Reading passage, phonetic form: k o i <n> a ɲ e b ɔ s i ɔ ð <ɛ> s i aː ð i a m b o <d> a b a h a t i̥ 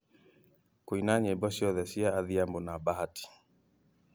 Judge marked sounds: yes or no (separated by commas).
yes, yes, no